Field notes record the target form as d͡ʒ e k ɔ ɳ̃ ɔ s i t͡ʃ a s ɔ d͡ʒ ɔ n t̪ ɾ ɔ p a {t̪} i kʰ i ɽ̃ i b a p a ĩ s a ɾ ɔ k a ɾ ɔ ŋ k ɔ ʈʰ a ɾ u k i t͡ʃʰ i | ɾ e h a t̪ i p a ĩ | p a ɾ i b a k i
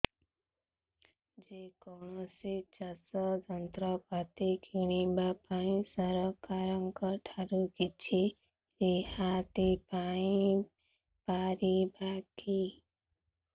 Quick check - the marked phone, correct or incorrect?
correct